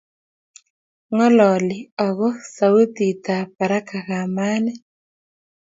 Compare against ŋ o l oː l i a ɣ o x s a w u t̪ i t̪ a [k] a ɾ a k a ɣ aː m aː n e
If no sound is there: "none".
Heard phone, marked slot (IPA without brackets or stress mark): p